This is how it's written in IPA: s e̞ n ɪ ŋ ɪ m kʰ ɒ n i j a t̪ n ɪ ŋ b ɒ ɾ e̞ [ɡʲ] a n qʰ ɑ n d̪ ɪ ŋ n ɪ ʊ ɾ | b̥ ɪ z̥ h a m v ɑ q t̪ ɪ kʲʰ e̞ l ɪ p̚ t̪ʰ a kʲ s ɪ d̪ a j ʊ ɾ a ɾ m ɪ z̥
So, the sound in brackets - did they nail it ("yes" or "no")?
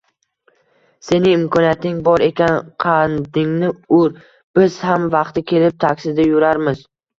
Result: no